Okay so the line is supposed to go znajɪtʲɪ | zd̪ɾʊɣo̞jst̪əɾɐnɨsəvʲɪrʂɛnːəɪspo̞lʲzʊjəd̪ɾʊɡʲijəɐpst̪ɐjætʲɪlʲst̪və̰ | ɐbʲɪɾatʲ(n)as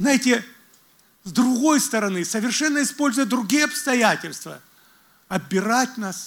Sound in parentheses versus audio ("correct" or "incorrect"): correct